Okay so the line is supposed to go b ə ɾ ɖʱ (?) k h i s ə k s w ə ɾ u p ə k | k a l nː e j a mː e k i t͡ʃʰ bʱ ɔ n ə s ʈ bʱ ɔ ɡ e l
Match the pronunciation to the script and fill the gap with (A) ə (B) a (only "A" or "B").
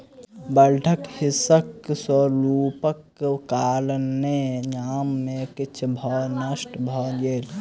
A